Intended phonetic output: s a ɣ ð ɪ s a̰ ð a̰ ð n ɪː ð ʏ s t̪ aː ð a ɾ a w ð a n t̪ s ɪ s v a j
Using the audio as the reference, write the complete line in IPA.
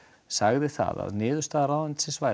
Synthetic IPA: s a ɣ ð ɪ θ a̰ ð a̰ ð n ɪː ð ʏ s t̪ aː ð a ɾ a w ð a n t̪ s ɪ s v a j